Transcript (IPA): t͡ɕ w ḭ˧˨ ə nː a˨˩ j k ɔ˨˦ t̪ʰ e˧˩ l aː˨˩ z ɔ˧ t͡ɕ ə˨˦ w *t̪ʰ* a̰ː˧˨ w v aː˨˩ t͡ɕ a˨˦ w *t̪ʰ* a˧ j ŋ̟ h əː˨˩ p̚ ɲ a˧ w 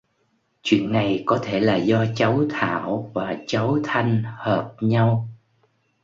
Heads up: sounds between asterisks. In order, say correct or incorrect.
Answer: correct, correct

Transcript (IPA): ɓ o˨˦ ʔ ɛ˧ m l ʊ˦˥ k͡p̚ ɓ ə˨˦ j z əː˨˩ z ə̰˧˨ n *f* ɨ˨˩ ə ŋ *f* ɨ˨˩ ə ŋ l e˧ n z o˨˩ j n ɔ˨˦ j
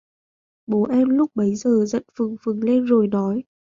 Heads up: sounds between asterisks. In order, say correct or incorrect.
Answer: correct, correct

